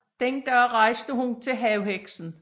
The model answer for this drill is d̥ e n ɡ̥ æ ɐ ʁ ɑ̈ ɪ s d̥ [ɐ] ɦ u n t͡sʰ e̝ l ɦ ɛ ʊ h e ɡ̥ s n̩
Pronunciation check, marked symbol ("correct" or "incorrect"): incorrect